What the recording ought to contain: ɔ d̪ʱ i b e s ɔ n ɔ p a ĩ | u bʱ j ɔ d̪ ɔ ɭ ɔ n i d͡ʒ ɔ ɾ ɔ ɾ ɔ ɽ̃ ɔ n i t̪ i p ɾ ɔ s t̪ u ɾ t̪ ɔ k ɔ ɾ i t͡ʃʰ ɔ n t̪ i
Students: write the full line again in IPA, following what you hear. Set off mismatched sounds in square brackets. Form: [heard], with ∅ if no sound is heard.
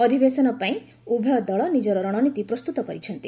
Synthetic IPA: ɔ d̪ʱ i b e s ɔ n ɔ p a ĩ | u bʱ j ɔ d̪ ɔ ɭ ɔ n i d͡ʒ ɔ ɾ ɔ ɾ ɔ ɽ̃ ɔ n i t̪ i p ɾ ɔ s t̪ u [∅] t̪ ɔ k ɔ ɾ i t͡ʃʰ ɔ n t̪ i